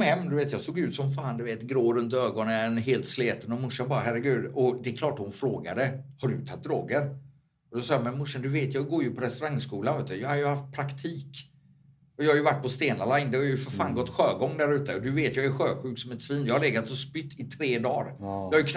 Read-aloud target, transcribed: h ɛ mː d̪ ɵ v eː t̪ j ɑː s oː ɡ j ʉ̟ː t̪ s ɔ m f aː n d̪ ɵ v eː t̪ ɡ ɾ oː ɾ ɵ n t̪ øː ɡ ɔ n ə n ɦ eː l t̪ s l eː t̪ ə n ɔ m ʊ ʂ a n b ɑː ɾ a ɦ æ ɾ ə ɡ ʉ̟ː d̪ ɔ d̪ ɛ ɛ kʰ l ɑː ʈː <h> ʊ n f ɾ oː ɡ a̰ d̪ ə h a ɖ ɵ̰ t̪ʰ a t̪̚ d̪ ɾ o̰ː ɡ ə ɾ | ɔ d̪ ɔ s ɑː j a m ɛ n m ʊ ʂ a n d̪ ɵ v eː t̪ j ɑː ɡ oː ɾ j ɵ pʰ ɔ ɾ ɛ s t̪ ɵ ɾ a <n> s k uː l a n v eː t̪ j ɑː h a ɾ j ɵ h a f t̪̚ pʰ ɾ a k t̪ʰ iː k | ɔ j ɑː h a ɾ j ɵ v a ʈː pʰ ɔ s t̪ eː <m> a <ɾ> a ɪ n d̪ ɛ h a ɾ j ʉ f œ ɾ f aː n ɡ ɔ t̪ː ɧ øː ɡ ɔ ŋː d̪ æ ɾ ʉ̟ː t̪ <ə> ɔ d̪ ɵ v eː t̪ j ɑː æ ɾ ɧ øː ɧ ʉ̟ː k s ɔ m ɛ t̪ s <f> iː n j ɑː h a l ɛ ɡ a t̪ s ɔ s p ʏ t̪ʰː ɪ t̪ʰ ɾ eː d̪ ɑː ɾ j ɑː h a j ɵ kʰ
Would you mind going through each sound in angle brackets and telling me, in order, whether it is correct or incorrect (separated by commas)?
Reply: correct, incorrect, incorrect, incorrect, correct, incorrect